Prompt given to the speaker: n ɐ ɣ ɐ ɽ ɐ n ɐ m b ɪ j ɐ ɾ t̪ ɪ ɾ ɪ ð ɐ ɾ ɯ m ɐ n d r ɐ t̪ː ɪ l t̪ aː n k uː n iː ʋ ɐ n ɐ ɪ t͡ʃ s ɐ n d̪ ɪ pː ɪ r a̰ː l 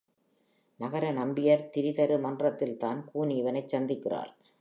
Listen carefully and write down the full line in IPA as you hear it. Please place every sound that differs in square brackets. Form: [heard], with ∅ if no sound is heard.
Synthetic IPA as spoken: n ɐ ɣ ɐ [ɾ] ɐ n ɐ m b ɪ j ɐ ɾ t̪ ɪ ɾ ɪ ð ɐ ɾ ɯ m ɐ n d r ɐ t̪ː ɪ l t̪ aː n k uː n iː ʋ ɐ n ɐ ɪ t͡ʃ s ɐ n d̪ ɪ [kː] ɪ r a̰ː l